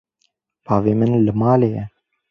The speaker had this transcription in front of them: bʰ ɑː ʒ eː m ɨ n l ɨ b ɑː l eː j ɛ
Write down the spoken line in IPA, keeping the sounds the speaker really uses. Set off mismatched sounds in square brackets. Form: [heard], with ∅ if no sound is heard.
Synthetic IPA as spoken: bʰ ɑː [v] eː m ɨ n l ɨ [m] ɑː l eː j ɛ